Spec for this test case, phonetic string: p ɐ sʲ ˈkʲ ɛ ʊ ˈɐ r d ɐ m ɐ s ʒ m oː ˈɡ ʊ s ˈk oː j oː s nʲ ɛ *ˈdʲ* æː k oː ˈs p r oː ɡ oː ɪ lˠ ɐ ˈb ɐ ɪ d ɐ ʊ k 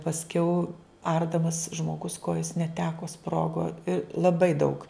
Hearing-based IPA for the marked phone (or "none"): tʲ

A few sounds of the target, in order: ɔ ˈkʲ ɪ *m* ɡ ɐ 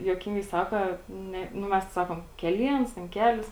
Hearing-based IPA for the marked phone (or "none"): ŋ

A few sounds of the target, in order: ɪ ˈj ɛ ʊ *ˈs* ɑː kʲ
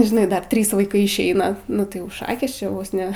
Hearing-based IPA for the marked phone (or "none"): ʃ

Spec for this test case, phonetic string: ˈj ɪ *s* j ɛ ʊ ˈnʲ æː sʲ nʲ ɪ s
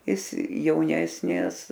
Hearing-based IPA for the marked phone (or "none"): s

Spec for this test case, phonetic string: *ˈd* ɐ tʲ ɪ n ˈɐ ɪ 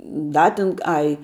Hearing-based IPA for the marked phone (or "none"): d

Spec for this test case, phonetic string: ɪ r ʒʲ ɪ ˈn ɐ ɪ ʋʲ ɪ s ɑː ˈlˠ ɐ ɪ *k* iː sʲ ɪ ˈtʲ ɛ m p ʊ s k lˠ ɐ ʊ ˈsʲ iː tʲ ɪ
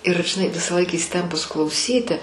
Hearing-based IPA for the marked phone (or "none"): k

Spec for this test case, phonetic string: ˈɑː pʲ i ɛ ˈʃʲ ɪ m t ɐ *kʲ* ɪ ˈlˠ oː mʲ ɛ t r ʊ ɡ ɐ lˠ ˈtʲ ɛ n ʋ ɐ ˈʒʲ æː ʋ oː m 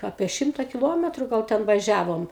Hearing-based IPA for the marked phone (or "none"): kʲ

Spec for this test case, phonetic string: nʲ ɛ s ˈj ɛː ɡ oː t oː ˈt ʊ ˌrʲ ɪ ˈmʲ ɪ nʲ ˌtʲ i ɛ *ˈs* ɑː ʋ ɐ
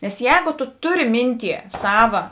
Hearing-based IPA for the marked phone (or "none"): s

